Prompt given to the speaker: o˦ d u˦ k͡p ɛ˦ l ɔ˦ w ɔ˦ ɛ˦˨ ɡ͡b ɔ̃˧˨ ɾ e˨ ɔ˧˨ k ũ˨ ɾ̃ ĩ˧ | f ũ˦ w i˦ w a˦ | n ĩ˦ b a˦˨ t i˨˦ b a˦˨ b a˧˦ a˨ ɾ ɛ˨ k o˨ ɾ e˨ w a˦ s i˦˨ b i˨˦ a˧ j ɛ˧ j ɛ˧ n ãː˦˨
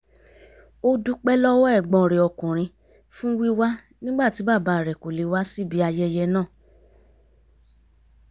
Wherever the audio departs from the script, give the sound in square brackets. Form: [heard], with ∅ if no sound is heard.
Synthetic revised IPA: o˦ d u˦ k͡p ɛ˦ l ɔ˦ w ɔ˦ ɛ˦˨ ɡ͡b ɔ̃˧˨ ɾ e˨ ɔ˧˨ k ũ˨ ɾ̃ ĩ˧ | f ũ˦ w i˦ w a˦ | n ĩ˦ [ɡ͡b] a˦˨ t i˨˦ b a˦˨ b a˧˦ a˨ ɾ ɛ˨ k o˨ [l] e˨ w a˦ s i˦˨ b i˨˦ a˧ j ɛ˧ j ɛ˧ n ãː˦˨